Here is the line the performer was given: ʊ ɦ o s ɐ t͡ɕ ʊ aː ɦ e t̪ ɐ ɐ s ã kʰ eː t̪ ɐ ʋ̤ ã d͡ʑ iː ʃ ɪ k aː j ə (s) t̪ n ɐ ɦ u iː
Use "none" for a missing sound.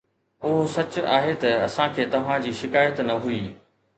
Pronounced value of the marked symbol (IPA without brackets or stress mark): none